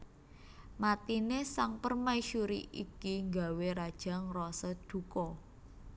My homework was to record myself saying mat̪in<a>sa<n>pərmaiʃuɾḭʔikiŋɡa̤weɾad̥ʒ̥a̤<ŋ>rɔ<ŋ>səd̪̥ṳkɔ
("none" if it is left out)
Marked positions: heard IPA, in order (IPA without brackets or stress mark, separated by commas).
e, ŋ, ŋ, none